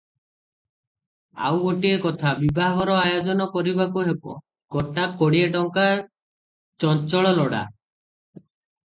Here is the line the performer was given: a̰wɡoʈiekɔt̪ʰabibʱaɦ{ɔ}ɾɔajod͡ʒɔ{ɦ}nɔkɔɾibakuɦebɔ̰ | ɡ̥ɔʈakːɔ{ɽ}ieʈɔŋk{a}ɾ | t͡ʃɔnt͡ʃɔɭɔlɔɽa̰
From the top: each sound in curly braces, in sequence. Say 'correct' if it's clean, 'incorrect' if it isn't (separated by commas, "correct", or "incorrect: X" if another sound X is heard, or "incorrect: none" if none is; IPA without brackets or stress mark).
correct, incorrect: none, correct, correct